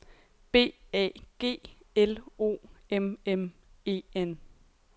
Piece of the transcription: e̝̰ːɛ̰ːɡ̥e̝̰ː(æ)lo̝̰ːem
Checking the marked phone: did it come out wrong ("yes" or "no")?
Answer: yes